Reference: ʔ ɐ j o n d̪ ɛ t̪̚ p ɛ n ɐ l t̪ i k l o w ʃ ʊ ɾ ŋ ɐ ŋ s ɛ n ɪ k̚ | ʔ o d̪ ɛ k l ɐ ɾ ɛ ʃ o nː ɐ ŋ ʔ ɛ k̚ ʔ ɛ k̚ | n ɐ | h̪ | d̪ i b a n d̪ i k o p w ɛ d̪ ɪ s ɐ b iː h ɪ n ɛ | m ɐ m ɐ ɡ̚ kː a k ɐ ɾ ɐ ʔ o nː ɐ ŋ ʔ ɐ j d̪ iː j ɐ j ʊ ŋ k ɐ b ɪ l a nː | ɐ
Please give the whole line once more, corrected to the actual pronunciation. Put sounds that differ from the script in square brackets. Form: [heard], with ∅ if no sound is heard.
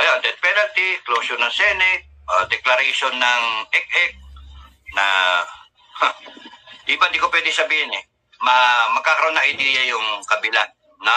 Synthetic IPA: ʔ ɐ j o n d̪ ɛ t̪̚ p ɛ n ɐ l t̪ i k l o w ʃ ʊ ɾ [n] ɐ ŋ s ɛ n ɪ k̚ | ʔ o d̪ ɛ k l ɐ ɾ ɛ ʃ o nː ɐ ŋ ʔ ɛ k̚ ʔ ɛ k̚ | n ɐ | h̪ | d̪ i b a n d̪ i k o p w ɛ d̪ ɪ s ɐ b iː h ɪ n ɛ | m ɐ m ɐ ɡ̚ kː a k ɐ ɾ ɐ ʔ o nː ɐ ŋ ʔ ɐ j d̪ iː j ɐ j ʊ ŋ k ɐ b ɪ l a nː | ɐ

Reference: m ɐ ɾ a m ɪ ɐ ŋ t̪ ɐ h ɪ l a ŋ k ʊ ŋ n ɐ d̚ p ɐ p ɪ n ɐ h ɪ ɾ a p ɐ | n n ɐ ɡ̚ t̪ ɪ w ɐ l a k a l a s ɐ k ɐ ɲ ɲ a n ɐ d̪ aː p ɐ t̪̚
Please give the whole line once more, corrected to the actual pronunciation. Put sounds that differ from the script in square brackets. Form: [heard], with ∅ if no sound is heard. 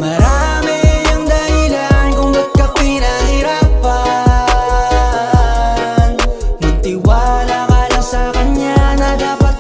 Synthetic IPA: m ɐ ɾ a m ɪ ɐ ŋ [d̪] ɐ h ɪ l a [n] k ʊ ŋ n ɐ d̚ [k] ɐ p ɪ n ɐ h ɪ ɾ a p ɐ | n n ɐ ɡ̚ t̪ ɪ w [a] l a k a l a s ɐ k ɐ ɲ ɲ a n ɐ d̪ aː p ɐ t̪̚

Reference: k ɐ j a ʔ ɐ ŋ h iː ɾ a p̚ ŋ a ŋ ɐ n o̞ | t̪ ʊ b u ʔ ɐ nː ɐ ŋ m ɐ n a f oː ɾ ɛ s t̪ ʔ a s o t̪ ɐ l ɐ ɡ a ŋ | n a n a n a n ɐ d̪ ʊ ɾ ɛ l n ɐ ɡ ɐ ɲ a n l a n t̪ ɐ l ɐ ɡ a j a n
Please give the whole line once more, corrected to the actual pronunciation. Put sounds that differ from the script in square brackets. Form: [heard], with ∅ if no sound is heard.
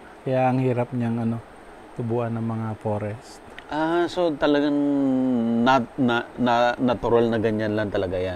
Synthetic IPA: k ɐ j a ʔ ɐ ŋ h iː ɾ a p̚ [ɲ] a ŋ ɐ n o̞ | t̪ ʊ b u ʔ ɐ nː ɐ ŋ m ɐ [ŋ] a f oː ɾ ɛ s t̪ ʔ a s o t̪ ɐ l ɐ ɡ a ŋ | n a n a n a n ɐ [t̪] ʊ ɾ [a] l n ɐ ɡ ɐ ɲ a n l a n t̪ ɐ l ɐ ɡ a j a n

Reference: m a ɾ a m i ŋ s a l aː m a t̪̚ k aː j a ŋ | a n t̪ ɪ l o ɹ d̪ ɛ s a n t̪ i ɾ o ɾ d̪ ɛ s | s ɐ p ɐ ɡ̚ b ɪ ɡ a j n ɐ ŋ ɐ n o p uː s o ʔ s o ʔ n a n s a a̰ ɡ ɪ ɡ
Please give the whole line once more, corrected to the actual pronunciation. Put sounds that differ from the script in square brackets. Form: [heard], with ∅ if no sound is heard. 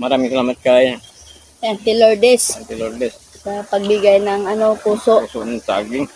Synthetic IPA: m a ɾ a m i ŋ s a l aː m a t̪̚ k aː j a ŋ | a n t̪ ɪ l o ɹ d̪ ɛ s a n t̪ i [l] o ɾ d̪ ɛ s | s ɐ p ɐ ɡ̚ b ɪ ɡ a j n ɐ ŋ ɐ n o p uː s o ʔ s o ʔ n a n s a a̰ ɡ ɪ [ŋ]

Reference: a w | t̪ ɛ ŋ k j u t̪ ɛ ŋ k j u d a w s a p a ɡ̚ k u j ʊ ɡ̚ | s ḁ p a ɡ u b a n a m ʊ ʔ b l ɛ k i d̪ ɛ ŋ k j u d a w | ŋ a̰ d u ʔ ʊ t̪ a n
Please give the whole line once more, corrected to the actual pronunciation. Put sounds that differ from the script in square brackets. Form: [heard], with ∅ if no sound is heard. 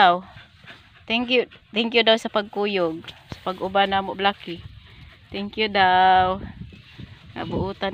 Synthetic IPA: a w | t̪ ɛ ŋ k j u t̪ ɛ ŋ k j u d a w s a p a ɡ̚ k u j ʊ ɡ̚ | s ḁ p a ɡ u b a n a m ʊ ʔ b l [a] k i [t̪] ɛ ŋ k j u d a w | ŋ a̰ [b] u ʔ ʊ t̪ a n

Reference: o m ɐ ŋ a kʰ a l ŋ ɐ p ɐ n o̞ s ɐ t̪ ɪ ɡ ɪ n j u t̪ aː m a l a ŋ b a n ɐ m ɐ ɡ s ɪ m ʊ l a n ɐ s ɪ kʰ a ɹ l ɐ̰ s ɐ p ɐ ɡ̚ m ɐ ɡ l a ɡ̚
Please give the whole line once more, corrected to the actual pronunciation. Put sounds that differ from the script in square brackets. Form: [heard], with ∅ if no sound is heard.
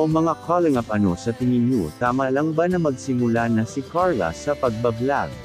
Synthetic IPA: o m ɐ ŋ a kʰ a l ŋ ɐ p ɐ n o̞ s ɐ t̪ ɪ [ŋ] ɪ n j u t̪ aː m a l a ŋ b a n ɐ m ɐ ɡ s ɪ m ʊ l a n ɐ s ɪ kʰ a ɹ l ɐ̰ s ɐ p ɐ ɡ̚ [b] ɐ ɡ l a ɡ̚

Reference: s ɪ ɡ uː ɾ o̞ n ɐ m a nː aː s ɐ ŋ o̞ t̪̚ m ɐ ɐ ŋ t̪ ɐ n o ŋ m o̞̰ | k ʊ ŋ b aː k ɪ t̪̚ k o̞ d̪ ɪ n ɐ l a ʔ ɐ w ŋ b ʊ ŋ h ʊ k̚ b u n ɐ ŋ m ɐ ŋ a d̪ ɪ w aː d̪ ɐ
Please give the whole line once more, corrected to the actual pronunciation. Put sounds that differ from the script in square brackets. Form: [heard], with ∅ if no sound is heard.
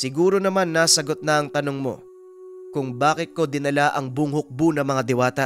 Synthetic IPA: s ɪ ɡ uː ɾ o̞ n ɐ m a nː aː s ɐ [ɡ] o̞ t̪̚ [n] ɐ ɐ ŋ t̪ ɐ n o ŋ m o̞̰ | k ʊ ŋ b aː k ɪ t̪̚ k o̞ d̪ ɪ n ɐ l a ʔ ɐ [∅] ŋ b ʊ ŋ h ʊ k̚ b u n ɐ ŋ m ɐ ŋ a d̪ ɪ w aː [t̪] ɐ

